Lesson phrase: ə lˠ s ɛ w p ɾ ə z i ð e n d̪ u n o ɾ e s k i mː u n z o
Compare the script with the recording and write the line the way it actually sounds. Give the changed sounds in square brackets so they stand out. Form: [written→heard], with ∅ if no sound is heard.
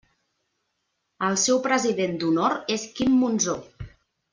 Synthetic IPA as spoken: ə lˠ s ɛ w p ɾ ə z i ð e n d̪ u n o ɾ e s k i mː u n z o